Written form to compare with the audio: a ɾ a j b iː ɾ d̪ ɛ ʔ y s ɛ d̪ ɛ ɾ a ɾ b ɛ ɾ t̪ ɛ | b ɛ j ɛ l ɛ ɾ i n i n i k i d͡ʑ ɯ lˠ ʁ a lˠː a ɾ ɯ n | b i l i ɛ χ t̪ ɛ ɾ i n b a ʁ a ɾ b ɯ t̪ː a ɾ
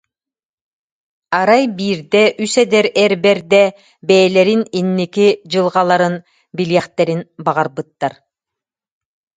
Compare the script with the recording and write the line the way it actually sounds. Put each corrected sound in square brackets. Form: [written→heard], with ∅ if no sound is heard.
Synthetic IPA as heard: a ɾ a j b iː ɾ d̪ ɛ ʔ y s ɛ d̪ ɛ ɾ [a→ɛ] ɾ b ɛ ɾ [t̪→d̪] ɛ | b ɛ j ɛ l ɛ ɾ i n i [n→nː] i k i d͡ʑ ɯ lˠ ʁ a [lˠː→lˠ] a ɾ ɯ n | b i l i ɛ χ t̪ ɛ ɾ i n b a ʁ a ɾ b ɯ t̪ː a ɾ